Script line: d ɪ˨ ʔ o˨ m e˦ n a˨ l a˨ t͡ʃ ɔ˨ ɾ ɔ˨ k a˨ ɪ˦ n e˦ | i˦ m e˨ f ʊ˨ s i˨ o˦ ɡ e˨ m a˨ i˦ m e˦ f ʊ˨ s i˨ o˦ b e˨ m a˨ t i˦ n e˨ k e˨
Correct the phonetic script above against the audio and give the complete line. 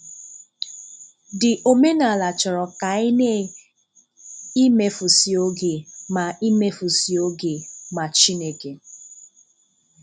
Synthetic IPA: d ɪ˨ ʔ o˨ m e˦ n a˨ l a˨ t͡ʃ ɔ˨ ɾ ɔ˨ k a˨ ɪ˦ n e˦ | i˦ m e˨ f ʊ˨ s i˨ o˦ ɡ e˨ m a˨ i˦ m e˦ f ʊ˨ s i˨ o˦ ɡ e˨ m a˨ t͡ʃ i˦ n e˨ k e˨

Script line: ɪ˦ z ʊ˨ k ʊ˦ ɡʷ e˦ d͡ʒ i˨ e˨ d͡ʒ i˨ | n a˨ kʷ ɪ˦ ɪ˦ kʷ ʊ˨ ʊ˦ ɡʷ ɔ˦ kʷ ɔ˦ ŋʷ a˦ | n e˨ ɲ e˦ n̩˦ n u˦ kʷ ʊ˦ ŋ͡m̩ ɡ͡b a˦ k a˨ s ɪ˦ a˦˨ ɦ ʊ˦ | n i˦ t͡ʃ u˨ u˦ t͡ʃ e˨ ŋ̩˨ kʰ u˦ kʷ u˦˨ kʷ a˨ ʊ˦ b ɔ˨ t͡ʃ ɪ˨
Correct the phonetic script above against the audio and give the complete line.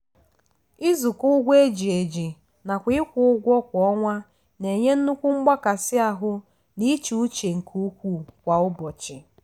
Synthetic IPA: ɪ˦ z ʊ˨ k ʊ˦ ɡʷ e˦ d͡ʒ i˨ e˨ d͡ʒ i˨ | n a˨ kʷ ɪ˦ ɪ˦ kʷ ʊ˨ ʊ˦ ɡʷ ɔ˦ kʷ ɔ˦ ŋʷ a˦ | n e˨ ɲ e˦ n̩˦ n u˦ kʷ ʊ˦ ŋ͡m̩ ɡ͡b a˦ k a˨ s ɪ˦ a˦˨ ɦ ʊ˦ | n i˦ t͡ʃ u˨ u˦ t͡ʃ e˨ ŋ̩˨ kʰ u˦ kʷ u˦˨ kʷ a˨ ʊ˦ b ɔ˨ t͡ʃ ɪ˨

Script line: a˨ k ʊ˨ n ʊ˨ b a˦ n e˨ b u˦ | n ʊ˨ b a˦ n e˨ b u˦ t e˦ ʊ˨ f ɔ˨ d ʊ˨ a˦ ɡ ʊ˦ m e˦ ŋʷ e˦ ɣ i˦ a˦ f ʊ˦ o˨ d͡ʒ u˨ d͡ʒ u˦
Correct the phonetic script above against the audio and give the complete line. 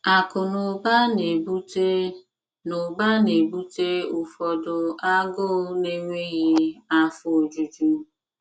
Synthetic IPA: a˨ k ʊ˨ n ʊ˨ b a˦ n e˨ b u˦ | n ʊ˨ b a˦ n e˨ b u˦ t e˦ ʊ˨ f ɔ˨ d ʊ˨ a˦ ɡ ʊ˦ n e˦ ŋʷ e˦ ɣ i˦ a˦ f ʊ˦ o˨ d͡ʒ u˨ d͡ʒ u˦

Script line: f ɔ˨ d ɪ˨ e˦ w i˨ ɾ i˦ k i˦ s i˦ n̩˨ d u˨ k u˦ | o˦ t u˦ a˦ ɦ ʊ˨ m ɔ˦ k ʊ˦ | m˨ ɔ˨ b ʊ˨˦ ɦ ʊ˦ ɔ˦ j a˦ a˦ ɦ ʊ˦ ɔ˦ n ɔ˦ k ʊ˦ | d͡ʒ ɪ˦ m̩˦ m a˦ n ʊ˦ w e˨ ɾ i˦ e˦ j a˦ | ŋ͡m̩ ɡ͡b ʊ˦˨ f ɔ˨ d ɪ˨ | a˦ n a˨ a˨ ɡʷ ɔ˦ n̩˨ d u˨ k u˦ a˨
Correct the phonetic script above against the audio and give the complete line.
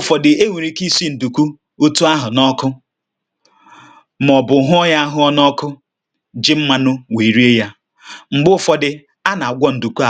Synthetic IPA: f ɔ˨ d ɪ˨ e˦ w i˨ ɾ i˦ k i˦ s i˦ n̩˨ d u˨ k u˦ | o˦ t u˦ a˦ ɦ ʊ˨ n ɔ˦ k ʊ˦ | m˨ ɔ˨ b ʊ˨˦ ɦ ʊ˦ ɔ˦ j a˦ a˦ ɦ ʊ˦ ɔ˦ n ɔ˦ k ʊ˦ | d͡ʒ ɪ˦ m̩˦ m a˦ n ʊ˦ w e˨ ɾ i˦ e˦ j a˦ | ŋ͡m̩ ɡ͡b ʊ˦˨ f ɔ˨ d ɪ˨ | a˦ n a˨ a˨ ɡʷ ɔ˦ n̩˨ d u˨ k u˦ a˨

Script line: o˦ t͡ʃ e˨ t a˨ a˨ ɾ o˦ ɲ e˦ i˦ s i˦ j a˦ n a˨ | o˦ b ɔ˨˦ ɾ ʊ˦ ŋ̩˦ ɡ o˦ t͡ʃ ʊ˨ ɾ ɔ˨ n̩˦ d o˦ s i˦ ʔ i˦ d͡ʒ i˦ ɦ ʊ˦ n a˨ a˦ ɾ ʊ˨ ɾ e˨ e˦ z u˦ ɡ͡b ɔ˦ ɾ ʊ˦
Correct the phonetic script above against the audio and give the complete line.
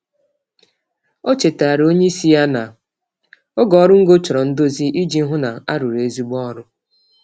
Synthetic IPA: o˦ t͡ʃ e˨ t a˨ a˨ ɾ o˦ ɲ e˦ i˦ s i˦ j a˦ n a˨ | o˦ ɡ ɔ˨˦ ɾ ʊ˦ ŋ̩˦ ɡ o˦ t͡ʃ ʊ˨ ɾ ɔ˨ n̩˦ d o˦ z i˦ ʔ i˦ d͡ʒ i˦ ɦ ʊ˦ n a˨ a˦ ɾ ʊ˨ ɾ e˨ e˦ z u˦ ɡ͡b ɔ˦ ɾ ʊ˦

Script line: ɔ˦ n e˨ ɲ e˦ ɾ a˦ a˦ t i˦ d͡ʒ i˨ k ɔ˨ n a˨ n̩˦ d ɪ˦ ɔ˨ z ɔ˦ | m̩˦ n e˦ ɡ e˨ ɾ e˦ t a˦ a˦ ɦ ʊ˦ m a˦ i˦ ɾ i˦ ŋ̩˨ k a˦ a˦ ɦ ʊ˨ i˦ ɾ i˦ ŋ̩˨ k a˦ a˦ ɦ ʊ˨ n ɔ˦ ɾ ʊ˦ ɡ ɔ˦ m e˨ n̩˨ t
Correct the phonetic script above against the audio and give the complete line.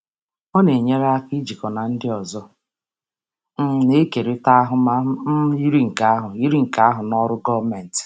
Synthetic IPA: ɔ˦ n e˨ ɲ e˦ ɾ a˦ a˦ k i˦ d͡ʒ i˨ k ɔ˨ n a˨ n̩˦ d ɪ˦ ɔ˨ z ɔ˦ | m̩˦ n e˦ k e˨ ɾ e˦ t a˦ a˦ ɦ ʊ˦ m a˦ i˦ ɾ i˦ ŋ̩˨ k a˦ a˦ ɦ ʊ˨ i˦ ɾ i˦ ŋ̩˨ k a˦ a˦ ɦ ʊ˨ n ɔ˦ ɾ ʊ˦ ɡ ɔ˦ m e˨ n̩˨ t

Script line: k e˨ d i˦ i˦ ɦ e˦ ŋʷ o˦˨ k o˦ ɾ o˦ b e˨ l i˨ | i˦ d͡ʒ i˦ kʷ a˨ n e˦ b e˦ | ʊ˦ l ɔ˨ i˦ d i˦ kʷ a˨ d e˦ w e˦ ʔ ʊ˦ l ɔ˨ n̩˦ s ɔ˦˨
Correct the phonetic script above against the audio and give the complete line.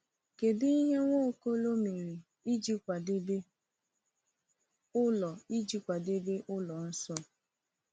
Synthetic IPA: k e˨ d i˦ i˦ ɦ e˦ ŋʷ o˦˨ k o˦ l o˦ m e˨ ɾ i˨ | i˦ d͡ʒ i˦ kʷ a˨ d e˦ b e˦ | ʊ˦ l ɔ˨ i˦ d͡ʒ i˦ kʷ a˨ d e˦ b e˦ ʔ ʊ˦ l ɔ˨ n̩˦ s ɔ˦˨

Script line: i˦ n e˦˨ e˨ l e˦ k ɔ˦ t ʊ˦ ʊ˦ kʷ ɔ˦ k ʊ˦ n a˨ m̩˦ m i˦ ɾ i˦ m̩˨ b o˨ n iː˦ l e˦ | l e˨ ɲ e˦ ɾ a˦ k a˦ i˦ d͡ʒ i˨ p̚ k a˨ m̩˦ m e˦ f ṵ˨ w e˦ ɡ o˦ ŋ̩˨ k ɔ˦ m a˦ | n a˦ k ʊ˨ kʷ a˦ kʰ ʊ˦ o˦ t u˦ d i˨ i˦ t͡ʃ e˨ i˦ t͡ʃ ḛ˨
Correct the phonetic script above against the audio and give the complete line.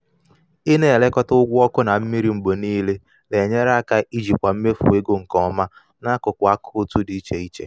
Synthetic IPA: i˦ n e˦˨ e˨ l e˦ k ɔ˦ t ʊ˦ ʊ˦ ɡʷ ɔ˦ k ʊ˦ n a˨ m̩˦ m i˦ ɾ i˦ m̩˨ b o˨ n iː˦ l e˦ | l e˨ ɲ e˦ ɾ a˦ k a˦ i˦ d͡ʒ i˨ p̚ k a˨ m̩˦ m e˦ f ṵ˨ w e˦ ɡ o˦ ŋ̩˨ k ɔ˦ m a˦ | n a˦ k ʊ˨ kʷ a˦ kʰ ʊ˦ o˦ t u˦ d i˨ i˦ t͡ʃ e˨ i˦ t͡ʃ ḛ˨

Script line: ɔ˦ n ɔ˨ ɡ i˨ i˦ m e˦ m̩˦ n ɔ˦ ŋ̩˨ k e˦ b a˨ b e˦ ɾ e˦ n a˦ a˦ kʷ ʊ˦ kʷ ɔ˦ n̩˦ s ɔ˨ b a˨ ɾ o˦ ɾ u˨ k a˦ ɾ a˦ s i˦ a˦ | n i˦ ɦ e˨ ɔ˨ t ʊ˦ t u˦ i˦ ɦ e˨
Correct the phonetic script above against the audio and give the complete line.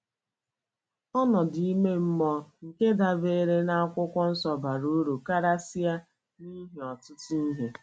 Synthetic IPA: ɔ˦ n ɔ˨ d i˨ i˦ m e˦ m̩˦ m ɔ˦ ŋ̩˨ k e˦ d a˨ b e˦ ɾ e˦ n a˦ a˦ kʷ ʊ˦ kʷ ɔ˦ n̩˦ s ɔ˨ b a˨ ɾ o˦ ɾ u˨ k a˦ ɾ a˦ s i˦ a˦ | n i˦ ɦ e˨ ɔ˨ t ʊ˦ t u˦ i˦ ɦ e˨

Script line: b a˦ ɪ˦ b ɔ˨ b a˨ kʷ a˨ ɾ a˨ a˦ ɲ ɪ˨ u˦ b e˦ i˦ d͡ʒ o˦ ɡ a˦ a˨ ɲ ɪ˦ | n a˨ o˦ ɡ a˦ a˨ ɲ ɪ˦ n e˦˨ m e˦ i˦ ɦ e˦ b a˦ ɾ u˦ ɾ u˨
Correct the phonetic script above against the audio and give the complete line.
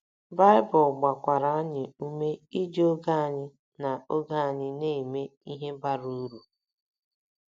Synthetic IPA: b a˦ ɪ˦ b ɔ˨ ɡ͡b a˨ kʷ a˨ ɾ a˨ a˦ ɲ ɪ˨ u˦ m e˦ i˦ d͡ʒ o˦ ɡ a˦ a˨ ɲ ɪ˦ | n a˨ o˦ ɡ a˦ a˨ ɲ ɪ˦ n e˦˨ m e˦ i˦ ɦ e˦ b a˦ ɾ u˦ ɾ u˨

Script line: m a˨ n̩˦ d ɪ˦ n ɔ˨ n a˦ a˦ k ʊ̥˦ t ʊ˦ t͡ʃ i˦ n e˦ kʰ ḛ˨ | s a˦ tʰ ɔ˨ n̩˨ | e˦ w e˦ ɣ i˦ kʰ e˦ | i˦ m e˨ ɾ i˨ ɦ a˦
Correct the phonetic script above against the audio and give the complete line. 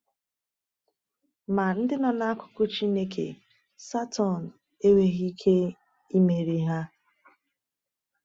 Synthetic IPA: m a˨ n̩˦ d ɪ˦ n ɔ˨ n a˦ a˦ k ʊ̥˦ k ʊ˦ t͡ʃ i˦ n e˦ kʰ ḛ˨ | s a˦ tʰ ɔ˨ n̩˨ | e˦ w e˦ ɣ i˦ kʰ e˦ | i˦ m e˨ ɾ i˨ ɦ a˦

